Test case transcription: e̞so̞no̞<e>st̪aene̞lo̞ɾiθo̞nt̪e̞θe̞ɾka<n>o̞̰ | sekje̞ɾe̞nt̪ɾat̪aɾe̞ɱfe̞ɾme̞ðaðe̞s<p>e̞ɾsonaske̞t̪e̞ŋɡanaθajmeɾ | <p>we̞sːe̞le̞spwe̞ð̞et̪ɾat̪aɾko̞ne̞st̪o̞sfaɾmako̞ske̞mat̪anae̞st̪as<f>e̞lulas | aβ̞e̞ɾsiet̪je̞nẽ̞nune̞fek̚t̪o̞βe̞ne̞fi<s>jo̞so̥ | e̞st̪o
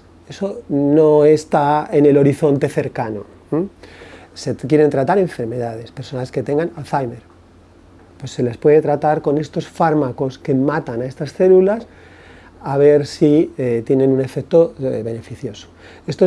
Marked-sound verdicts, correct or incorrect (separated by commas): correct, correct, correct, correct, incorrect, incorrect